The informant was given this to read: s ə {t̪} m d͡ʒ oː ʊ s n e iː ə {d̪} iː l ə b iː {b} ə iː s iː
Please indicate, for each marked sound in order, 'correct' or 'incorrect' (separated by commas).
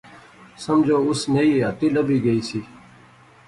incorrect, incorrect, incorrect